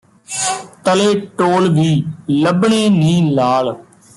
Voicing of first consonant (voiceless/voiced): voiceless